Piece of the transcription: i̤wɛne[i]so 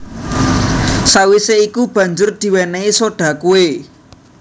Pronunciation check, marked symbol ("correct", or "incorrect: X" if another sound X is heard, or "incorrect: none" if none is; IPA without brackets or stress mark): correct